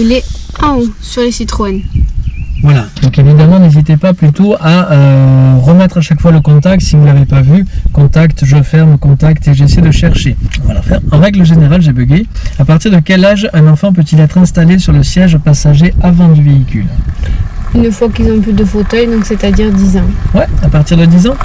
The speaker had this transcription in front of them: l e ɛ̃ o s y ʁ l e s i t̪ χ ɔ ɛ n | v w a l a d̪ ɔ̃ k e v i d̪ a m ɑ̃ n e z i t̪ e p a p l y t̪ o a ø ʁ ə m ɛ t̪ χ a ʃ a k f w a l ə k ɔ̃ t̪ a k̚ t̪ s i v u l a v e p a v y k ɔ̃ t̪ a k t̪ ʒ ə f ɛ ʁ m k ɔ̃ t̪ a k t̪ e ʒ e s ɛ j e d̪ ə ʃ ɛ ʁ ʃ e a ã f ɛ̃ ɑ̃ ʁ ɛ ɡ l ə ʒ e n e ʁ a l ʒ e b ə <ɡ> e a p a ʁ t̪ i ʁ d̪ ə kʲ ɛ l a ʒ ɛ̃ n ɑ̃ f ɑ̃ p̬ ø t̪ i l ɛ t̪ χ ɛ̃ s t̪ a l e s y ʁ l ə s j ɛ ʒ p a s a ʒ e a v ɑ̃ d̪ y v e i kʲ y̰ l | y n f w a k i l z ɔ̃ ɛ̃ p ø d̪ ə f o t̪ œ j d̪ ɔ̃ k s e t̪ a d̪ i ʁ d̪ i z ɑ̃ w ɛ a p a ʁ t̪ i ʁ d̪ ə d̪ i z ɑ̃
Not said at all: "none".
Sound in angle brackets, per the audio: ɡ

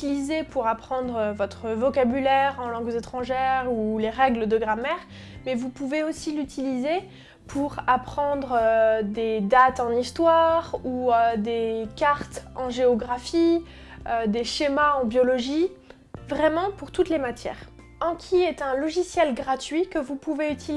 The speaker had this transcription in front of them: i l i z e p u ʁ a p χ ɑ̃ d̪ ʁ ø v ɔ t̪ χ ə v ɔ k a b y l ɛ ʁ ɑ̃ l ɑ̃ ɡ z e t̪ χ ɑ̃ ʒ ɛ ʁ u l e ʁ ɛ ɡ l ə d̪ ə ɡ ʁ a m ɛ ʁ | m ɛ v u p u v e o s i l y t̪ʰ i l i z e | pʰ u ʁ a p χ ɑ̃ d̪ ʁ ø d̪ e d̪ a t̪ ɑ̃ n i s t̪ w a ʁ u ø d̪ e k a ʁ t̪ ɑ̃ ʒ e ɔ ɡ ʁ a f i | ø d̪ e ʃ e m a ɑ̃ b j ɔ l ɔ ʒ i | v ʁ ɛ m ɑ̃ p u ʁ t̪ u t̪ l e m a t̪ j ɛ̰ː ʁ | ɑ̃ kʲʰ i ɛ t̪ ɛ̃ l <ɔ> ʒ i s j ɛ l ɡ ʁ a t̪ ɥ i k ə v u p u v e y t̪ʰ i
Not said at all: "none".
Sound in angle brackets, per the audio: ɔ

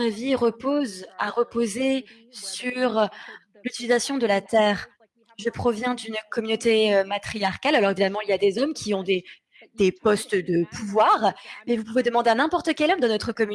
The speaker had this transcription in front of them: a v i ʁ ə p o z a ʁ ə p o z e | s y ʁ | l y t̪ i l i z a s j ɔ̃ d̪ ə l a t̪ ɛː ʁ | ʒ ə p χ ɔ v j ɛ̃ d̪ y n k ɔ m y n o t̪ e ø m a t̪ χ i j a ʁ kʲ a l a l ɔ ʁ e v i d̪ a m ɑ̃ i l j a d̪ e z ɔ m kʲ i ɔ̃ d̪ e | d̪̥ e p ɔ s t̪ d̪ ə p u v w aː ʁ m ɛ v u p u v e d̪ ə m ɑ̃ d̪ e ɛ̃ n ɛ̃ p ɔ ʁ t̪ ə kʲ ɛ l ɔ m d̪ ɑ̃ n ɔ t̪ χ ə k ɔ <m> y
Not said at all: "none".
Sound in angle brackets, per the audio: m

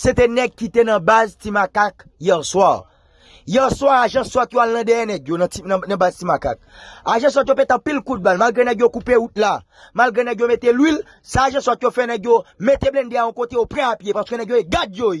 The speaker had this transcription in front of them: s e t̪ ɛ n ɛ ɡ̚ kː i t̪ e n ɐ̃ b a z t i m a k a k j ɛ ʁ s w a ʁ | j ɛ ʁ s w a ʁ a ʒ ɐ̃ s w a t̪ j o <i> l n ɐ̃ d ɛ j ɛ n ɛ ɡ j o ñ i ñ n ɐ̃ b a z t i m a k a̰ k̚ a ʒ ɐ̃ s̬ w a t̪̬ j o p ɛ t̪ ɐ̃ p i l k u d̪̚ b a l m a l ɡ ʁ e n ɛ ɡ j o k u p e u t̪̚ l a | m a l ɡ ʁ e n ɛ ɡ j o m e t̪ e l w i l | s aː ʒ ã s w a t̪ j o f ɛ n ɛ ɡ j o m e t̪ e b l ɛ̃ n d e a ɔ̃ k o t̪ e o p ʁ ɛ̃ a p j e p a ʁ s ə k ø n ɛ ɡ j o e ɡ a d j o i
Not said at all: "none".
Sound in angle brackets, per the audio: a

